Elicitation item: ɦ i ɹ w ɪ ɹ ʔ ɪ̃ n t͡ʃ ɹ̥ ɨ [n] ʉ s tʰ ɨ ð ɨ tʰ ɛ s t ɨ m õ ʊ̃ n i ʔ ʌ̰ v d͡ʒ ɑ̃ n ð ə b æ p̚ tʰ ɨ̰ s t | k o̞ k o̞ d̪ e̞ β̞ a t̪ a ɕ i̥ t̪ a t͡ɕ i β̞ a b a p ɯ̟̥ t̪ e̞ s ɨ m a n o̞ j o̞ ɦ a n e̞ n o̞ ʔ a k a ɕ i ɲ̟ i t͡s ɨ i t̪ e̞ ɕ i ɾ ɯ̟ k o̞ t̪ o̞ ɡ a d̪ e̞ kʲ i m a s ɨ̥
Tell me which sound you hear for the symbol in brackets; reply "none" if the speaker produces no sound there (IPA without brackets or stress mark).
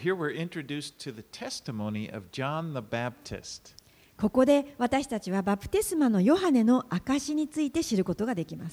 d